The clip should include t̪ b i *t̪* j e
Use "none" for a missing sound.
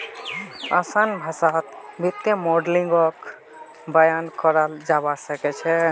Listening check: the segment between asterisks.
t̪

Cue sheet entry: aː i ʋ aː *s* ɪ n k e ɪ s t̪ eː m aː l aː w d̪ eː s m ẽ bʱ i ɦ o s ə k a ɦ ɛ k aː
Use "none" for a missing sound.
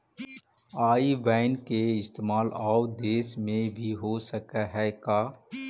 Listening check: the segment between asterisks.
none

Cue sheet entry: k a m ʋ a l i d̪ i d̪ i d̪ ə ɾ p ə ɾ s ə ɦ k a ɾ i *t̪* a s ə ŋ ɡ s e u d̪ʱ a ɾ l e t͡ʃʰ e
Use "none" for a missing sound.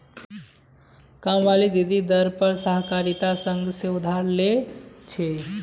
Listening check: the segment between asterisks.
t̪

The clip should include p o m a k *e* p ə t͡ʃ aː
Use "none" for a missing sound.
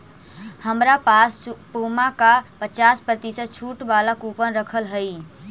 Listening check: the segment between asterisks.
a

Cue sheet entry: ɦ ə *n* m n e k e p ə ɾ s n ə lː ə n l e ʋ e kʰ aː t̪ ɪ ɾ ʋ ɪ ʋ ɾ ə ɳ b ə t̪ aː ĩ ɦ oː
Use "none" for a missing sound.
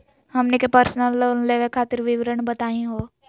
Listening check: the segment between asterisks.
none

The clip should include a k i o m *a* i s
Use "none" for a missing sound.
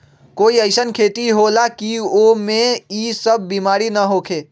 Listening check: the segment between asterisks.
e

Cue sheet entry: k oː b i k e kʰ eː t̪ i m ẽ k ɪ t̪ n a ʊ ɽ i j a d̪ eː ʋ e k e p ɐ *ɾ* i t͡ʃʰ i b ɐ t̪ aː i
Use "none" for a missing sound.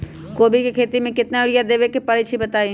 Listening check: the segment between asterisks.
ɾ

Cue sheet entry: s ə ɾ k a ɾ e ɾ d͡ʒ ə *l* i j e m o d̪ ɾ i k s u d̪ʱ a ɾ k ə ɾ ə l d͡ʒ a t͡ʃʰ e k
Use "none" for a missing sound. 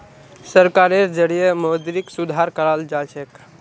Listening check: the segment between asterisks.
ɽ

